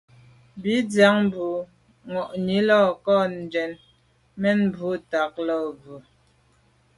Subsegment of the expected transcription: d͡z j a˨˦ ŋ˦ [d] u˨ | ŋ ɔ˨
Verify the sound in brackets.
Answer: incorrect: b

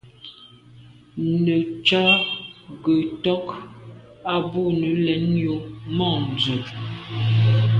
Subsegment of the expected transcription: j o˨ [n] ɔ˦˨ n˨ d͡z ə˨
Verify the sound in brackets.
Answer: incorrect: m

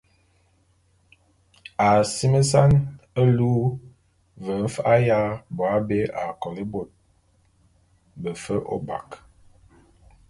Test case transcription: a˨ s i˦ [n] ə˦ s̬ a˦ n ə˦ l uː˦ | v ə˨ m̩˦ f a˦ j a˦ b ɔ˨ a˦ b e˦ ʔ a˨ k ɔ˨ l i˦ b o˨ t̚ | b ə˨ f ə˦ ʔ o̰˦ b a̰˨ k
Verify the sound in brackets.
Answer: incorrect: m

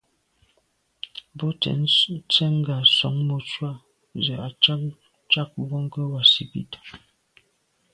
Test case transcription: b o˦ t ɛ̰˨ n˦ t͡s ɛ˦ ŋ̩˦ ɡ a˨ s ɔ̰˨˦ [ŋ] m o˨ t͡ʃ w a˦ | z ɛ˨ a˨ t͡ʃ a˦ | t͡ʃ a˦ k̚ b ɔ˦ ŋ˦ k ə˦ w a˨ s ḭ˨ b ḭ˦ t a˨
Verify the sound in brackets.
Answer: correct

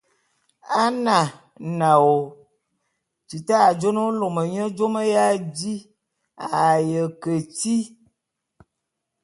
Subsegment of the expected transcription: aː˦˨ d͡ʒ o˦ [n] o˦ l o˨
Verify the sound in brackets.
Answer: correct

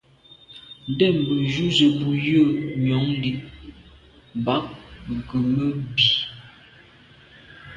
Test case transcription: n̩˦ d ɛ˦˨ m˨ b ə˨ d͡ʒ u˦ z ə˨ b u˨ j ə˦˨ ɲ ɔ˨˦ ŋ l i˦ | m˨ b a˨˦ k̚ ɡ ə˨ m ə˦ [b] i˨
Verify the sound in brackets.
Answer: correct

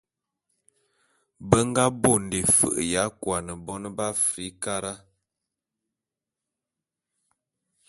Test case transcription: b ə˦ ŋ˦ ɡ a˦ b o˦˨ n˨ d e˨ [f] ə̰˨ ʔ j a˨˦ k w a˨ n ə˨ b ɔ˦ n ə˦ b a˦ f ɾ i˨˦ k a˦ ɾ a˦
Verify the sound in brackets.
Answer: correct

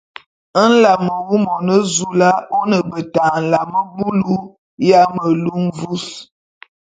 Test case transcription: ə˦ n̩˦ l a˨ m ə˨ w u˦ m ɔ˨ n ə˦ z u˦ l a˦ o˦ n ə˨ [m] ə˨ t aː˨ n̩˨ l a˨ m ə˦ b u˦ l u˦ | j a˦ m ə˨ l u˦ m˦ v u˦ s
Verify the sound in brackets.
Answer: incorrect: b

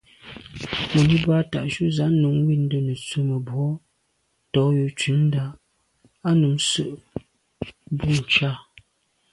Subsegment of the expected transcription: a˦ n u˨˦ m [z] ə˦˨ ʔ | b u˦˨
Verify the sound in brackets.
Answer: incorrect: s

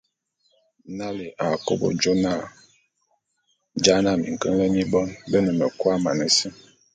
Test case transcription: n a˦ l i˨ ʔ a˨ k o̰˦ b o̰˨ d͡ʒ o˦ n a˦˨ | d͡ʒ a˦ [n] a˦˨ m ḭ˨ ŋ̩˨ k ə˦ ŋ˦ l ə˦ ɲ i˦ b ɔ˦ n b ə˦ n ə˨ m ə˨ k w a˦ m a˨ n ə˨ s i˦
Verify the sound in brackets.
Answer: correct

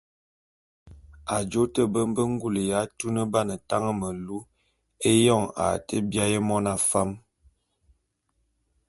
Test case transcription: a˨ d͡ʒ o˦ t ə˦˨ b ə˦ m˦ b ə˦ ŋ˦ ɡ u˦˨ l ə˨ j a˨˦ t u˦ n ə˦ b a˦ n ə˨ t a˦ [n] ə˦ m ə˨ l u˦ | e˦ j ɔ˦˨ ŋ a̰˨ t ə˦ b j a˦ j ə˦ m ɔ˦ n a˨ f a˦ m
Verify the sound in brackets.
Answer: incorrect: ŋ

